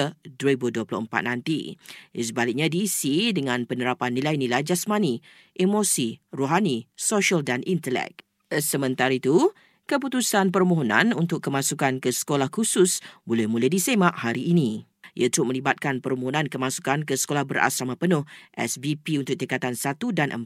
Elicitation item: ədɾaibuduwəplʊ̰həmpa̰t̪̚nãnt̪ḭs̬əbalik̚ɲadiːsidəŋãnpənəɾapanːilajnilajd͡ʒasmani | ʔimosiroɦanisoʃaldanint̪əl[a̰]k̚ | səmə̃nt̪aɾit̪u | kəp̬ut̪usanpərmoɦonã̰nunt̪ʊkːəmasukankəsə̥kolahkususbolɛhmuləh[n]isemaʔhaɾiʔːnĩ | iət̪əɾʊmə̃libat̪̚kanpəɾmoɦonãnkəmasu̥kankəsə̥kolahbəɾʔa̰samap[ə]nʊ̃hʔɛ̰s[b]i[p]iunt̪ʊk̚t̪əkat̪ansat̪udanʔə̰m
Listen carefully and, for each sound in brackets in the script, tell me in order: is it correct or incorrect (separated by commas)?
incorrect, incorrect, correct, correct, correct